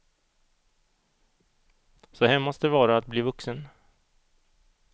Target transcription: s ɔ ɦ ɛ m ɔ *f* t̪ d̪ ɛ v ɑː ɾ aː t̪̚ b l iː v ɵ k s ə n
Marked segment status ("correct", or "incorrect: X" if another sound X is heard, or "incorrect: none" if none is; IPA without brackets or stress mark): incorrect: s